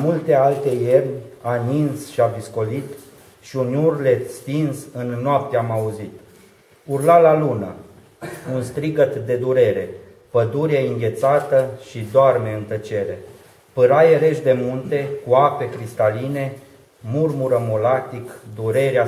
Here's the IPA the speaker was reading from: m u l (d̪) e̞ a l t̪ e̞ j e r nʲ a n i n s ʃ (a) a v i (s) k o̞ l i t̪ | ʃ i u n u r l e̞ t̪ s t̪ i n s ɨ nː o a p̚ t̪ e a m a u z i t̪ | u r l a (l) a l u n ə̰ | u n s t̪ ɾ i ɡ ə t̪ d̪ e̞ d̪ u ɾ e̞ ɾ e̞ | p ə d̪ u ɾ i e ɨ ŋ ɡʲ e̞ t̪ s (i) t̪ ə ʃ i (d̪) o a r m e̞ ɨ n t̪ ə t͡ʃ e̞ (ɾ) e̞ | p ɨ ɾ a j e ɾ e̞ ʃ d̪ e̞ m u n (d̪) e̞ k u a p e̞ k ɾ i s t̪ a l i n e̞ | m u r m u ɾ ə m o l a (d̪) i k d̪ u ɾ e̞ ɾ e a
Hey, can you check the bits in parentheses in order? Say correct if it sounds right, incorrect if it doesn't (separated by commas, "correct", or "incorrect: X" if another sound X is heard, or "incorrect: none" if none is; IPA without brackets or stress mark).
incorrect: t̪, incorrect: i, correct, correct, incorrect: a, correct, correct, incorrect: t̪, incorrect: t̪